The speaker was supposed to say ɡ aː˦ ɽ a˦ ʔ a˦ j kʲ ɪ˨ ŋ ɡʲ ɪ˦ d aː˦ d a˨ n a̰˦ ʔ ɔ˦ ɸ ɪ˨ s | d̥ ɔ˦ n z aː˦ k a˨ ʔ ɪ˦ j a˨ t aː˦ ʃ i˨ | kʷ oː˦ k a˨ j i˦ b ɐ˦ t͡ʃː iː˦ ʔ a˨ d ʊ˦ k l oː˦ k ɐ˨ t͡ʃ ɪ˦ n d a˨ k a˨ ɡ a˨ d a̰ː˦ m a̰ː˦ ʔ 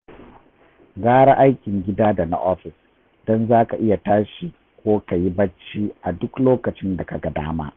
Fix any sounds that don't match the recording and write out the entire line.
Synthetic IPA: ɡ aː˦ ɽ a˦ ʔ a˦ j kʲ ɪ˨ ŋ ɡʲ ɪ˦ d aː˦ d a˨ n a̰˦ ʔ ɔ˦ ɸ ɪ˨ s | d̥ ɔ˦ n z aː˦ k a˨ ʔ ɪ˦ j a˨ t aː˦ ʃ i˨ | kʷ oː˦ k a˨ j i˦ b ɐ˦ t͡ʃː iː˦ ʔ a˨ d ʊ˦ k l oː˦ k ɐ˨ t͡ʃ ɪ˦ n d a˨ k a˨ ɡ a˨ d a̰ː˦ m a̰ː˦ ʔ

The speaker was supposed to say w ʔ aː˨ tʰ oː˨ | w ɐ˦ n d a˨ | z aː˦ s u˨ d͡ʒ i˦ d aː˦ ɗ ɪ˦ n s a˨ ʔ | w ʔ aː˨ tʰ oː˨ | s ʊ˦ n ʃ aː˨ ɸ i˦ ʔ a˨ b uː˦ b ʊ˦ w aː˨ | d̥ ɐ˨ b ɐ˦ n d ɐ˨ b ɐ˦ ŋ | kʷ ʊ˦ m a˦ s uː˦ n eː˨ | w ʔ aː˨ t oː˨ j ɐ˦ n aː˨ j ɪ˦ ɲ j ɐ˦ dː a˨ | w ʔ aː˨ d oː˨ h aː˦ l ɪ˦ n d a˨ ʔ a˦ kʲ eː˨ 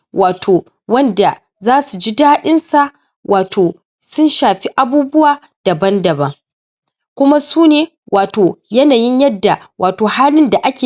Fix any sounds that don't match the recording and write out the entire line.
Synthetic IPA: w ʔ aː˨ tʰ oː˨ | w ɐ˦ n d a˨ | z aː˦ s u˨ d͡ʒ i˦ d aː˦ ɗ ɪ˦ n s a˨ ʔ | w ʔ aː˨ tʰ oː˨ | s ʊ˦ n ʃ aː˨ ɸ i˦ ʔ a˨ b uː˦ b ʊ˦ w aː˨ | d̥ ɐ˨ b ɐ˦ n d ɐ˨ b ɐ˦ ŋ | kʷ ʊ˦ m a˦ s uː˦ n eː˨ | w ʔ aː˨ t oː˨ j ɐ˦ n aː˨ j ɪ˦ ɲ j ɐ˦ dː a˨ | w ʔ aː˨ t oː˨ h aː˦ l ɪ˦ n d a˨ ʔ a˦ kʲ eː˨

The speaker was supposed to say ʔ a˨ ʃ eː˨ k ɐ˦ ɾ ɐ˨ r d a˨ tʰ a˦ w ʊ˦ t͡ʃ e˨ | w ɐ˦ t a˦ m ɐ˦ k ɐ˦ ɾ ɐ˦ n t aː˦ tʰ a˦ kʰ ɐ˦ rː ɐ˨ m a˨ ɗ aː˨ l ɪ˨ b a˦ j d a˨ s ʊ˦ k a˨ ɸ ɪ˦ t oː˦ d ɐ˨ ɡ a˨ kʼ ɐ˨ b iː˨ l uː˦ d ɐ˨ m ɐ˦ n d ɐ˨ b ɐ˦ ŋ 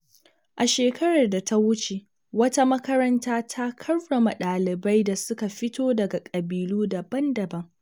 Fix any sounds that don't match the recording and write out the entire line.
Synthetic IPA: ʔ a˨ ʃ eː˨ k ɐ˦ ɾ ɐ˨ r d a˨ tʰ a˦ w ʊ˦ t͡ʃ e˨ | w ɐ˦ t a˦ m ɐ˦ k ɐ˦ ɾ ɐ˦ n t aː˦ tʰ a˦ kʰ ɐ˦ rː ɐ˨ m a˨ ɗ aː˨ l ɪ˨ b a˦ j d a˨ s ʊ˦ k a˨ ɸ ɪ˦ t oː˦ d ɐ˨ ɡ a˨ kʼ ɐ˨ b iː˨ l uː˦ d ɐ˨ b ɐ˦ n d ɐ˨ b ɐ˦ ŋ

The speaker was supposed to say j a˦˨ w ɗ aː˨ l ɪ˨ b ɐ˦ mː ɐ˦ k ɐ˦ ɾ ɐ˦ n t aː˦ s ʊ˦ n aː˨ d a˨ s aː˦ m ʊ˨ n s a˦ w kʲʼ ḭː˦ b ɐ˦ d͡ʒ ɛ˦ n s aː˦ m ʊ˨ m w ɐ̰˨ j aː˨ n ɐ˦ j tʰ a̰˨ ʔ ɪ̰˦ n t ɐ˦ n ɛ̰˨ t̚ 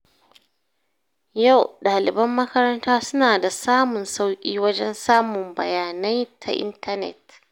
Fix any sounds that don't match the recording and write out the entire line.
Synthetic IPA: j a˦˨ w ɗ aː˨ l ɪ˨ b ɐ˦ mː ɐ˦ k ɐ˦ ɾ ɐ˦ n t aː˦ s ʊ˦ n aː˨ d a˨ s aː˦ m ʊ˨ n s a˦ w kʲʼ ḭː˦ w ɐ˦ d͡ʒ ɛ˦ n s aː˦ m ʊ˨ m b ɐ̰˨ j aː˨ n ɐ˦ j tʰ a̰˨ ʔ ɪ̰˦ n t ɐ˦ n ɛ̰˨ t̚

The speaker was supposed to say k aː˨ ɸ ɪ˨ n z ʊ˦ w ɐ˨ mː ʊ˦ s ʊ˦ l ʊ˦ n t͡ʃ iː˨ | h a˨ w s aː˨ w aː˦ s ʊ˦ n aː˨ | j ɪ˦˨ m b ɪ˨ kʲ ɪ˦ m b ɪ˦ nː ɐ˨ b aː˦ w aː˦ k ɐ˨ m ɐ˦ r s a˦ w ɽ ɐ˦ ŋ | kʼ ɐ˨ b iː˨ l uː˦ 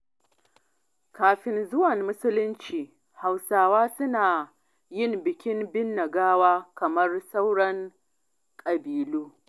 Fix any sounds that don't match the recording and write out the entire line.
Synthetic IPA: k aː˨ ɸ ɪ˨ n z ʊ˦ w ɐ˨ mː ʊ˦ s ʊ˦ l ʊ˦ n t͡ʃ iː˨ | h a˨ w s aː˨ w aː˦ s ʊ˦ n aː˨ | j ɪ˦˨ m b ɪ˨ kʲ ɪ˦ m b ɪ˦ nː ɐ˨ ɡ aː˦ w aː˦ k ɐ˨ m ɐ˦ r s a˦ w ɽ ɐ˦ ŋ | kʼ ɐ˨ b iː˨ l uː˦

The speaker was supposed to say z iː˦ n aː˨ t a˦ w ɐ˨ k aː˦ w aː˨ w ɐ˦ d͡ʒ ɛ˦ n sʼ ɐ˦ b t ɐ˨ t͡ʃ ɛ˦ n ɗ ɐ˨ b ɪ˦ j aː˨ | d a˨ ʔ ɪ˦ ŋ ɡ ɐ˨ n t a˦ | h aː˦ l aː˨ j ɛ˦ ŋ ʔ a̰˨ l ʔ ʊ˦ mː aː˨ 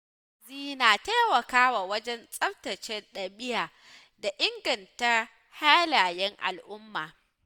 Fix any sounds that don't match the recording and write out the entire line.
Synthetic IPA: z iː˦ n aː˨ t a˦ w ɐ˨ k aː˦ w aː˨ w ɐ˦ d͡ʒ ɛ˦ n sʼ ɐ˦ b t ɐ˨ t͡ʃ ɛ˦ n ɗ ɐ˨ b ɪ˦ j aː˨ | d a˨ ʔ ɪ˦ ŋ ɡ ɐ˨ n t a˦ | h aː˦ l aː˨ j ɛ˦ ŋ ʔ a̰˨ l ʔ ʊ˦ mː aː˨

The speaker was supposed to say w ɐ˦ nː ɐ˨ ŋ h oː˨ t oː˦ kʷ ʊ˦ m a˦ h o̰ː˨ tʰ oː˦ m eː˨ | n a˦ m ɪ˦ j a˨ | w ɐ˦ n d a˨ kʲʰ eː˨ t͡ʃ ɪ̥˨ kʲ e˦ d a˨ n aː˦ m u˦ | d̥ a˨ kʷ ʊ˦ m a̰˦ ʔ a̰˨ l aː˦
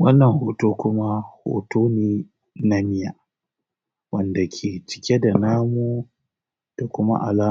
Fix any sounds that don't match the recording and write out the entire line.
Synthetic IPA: w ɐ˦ nː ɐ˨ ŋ h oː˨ t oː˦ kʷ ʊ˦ m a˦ h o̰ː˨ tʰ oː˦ n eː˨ | n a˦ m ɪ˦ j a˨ | w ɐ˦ n d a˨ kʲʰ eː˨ t͡ʃ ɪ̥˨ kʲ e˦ d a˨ n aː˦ m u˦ | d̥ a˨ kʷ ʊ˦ m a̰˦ ʔ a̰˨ l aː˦

